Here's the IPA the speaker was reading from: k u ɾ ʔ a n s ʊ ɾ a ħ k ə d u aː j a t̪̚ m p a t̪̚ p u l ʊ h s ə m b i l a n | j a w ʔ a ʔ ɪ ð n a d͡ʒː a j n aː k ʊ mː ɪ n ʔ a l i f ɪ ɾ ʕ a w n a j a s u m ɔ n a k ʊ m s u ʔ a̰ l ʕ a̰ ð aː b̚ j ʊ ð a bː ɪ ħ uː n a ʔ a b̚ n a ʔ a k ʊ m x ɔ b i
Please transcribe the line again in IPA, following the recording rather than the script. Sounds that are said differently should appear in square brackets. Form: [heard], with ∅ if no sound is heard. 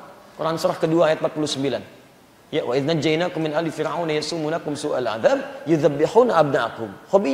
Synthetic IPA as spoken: k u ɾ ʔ a n s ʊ ɾ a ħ k ə d u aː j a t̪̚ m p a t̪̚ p u l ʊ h s ə m b i l a n | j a w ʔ a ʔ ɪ ð n a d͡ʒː a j n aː k ʊ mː ɪ n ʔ a l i f ɪ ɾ ʕ a w n a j a s u m [u] n a k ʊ m s u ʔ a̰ l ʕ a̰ ð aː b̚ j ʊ ð a bː ɪ ħ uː n a ʔ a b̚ n a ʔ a k ʊ m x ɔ b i